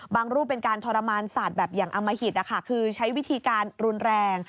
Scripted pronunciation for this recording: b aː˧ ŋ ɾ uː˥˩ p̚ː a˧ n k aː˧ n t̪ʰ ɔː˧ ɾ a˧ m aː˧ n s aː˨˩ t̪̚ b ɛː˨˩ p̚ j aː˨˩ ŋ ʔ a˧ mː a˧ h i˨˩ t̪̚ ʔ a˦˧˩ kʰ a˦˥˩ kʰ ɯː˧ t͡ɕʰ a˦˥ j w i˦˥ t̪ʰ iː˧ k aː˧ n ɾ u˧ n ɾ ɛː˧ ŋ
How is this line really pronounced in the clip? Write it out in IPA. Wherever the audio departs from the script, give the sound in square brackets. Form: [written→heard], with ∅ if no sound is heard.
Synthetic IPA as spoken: b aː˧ ŋ ɾ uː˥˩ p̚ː [a˧→e˧] n k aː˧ n t̪ʰ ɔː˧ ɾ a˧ m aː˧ n s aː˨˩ t̪̚ b ɛː˨˩ p̚ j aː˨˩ ŋ ʔ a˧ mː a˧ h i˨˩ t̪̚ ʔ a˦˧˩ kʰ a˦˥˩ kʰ ɯː˧ t͡ɕʰ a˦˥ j w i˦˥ t̪ʰ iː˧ k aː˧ n ɾ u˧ n ɾ ɛː˧ ŋ